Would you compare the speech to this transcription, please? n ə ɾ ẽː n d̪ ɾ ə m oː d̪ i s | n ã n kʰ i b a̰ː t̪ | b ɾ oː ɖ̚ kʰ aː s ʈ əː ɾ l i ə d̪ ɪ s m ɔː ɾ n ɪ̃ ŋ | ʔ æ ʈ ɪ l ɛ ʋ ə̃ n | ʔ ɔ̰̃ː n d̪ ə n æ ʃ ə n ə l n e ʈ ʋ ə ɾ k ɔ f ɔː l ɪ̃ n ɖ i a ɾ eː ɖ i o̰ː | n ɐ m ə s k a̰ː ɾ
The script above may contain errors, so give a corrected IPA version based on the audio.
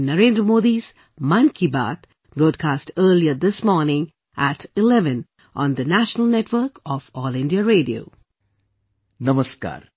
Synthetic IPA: n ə ɾ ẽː n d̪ ɾ ə m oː d̪ i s | m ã n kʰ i b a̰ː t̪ | b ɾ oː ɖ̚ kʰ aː s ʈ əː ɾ l i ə d̪ ɪ s m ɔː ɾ n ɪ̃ ŋ | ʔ æ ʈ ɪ l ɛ ʋ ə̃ n | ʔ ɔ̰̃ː n d̪ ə n æ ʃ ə n ə l n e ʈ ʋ ə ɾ k ɔ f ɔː l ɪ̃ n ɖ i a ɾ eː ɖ i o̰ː | n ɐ m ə s k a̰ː ɾ